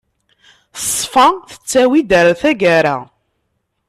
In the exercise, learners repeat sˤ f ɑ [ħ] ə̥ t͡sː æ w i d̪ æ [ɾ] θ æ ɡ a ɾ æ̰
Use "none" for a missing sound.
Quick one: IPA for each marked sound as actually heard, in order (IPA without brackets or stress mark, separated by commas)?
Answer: θ, ɾ